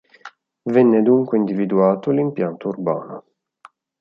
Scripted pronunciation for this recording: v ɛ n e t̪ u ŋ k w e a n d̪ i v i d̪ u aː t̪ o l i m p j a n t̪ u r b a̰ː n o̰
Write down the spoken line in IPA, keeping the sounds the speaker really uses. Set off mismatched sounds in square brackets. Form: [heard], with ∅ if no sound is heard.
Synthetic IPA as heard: v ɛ [nː] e [d̪] u ŋ k w e [i] n d̪ i v i d̪ u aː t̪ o l i m p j a n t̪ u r b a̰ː n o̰

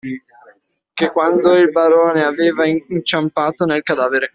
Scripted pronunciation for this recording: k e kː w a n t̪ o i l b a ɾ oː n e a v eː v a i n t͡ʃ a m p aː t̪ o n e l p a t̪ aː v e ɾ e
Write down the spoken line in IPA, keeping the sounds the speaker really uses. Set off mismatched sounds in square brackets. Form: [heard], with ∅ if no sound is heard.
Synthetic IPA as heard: k e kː w a n [d̪] o i l b a ɾ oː n e a v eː v a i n t͡ʃ a m p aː t̪ o n e l [k] a [d̪] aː v e ɾ e

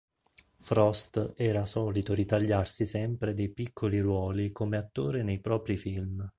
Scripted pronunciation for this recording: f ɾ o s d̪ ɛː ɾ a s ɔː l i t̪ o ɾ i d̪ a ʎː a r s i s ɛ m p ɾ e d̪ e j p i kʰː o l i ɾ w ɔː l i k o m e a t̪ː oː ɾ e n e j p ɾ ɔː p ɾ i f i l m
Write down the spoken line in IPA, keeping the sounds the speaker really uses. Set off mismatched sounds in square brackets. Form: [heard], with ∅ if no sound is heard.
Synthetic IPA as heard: f ɾ [ɔ] s [t̪] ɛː ɾ a s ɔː l i t̪ o ɾ i [t̪] a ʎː a r s i s ɛ m p ɾ e d̪ e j p i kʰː o l i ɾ w ɔː l i k o m e a t̪ː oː ɾ e n e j p ɾ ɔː p ɾ i f i l m

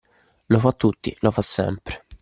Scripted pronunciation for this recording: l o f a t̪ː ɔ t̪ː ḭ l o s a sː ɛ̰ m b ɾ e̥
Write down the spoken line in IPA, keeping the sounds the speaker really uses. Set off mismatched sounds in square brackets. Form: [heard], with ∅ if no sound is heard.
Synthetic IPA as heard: l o f a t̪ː [u] t̪ː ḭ l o [f] a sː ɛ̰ m [p] ɾ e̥

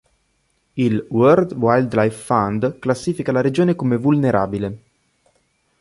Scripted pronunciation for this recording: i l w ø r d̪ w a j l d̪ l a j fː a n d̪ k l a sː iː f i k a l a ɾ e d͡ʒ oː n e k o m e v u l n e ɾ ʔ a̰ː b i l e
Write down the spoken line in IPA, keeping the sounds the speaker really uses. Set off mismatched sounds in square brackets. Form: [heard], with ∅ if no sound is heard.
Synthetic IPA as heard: i l w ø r d̪ w a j l d̪ l a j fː a n d̪ k l a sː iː f i k a l a ɾ e d͡ʒ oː n e k o m e v u l n e ɾ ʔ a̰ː b i l e

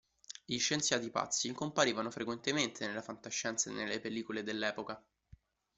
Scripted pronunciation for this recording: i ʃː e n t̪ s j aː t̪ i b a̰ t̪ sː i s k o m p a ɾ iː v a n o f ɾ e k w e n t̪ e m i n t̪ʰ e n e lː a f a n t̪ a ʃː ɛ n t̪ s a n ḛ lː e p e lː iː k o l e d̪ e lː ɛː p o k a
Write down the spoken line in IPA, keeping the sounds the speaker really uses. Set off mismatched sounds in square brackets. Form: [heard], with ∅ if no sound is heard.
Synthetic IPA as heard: i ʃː e n t̪ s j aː t̪ i [p] a̰ t̪ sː i [∅] k o m p a ɾ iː v a n o f ɾ e k w e n t̪ e m [e] n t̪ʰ e n e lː a f a n t̪ a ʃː ɛ n t̪ s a n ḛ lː e p e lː iː k o l e d̪ e lː ɛː p o k a

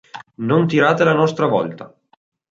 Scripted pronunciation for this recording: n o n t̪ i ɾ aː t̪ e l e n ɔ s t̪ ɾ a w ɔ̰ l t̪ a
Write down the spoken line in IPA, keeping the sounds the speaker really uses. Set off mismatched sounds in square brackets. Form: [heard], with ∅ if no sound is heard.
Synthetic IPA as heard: n o n t̪ i ɾ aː t̪ e l [a] n ɔ s t̪ ɾ a [v] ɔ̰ l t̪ a

